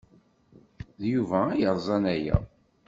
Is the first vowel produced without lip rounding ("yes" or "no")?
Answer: no